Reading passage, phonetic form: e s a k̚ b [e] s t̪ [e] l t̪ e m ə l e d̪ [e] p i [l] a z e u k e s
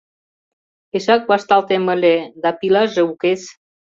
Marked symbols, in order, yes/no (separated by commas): no, no, no, yes